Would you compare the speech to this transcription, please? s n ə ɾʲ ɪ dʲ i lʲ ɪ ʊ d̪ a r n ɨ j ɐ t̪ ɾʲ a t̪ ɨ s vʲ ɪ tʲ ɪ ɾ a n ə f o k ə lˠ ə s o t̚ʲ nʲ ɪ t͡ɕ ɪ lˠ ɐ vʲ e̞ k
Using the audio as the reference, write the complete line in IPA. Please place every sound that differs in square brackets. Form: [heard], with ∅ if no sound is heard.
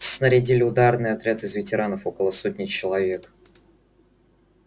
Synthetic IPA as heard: s n ə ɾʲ ɪ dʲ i lʲ ɪ ʊ d̪ a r n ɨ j ɐ t̪ ɾʲ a t̪ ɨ [z] vʲ ɪ tʲ ɪ ɾ a n ə f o k ə lˠ ə s o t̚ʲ nʲ ɪ t͡ɕ ɪ lˠ ɐ vʲ e̞ k